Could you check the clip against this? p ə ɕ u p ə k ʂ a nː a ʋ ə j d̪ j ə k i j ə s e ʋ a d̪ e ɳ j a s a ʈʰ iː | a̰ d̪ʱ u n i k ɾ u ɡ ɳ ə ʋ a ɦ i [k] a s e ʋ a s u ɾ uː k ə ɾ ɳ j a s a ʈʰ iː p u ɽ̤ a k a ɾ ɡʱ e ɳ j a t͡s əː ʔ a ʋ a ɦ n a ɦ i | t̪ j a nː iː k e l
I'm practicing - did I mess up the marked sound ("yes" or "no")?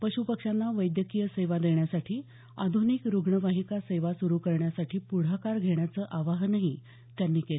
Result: no